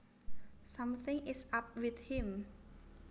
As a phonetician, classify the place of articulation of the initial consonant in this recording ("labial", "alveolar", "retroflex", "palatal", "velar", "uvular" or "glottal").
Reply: alveolar